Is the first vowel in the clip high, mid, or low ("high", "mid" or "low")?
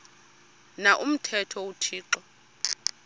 low